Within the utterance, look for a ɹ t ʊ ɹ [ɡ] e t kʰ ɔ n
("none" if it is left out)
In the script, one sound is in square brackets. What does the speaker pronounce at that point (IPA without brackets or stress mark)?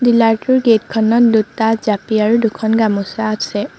ɡ